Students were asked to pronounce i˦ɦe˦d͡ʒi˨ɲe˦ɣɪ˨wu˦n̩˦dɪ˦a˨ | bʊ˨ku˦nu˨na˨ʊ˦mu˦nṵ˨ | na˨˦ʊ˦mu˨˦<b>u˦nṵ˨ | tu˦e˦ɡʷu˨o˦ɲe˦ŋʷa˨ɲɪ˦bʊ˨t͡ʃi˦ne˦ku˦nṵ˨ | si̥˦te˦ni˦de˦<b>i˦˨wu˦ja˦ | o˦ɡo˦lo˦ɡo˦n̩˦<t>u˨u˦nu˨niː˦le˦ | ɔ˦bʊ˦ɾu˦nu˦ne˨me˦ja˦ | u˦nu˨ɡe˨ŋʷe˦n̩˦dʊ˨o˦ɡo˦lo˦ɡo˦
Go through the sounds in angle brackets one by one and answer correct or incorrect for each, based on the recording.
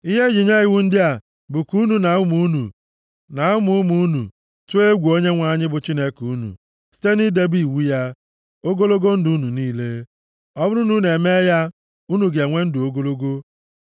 incorrect: m, correct, incorrect: d

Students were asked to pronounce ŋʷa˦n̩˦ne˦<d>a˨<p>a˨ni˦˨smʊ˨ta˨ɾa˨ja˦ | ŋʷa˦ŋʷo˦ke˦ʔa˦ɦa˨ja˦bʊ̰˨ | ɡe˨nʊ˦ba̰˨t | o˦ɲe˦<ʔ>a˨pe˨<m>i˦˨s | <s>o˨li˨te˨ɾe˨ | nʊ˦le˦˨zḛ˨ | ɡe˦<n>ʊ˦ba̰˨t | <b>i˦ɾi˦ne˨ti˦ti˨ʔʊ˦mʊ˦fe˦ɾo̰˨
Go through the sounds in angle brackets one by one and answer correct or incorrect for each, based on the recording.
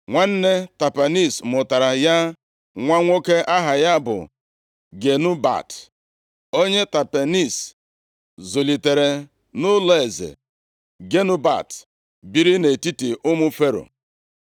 incorrect: t, correct, incorrect: t, incorrect: n, incorrect: z, correct, correct

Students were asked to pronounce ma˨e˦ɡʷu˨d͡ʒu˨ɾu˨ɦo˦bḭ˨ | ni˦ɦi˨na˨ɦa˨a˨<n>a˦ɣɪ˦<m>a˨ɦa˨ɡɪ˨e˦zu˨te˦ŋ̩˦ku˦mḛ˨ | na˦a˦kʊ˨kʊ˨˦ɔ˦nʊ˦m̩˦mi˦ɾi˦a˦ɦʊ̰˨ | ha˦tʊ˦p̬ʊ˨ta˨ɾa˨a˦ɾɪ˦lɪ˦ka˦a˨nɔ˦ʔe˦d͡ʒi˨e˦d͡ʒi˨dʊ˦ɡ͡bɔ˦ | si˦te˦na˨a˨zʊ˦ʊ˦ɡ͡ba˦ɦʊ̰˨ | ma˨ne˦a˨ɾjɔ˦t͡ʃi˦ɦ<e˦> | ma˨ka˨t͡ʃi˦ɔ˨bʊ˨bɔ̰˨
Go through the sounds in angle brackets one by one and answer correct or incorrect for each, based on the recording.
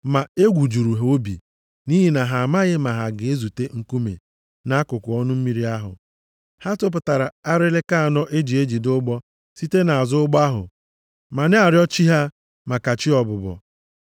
incorrect: m, correct, incorrect: a˦

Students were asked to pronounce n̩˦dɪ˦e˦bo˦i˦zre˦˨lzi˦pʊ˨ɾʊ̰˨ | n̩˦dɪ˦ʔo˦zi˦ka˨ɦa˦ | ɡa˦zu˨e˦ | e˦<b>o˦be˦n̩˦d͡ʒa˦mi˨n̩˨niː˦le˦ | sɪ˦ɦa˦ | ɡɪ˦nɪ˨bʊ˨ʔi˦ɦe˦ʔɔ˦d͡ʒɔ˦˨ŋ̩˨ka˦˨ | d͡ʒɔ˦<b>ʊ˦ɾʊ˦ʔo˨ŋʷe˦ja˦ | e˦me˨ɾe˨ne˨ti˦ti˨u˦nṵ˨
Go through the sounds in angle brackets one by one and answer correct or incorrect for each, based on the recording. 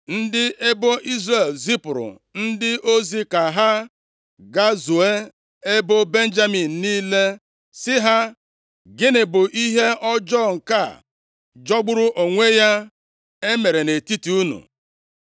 correct, incorrect: ɡ͡b

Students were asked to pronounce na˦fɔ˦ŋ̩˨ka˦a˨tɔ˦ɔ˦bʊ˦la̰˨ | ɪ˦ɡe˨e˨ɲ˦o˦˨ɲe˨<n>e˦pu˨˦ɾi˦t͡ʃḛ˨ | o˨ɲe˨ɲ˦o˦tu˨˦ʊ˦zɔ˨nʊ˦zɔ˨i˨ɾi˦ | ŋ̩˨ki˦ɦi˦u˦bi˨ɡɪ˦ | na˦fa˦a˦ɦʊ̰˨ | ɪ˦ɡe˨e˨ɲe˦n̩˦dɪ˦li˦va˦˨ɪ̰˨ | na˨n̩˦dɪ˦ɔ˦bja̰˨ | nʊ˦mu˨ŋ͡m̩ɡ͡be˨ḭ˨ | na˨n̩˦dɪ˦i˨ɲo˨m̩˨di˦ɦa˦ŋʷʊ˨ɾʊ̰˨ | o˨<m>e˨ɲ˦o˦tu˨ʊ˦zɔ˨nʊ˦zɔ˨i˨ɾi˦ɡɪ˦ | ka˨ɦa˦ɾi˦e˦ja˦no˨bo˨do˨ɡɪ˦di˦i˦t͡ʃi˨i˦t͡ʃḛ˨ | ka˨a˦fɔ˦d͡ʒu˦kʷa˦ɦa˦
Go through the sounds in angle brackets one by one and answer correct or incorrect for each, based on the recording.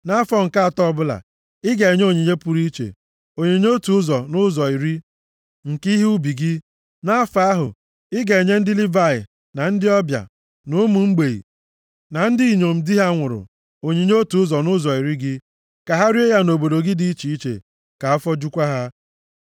incorrect: ɲ, incorrect: ɲ

